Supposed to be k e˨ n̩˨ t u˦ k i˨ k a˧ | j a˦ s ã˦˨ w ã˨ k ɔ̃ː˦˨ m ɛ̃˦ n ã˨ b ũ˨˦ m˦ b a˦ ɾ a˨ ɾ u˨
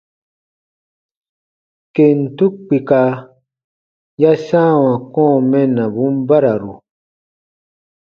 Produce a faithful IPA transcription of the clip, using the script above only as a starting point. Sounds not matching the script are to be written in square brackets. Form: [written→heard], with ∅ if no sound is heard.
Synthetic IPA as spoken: k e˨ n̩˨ t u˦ [k→k͡p] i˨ k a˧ | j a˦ s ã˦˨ w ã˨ k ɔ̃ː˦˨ m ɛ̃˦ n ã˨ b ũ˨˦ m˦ b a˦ ɾ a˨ ɾ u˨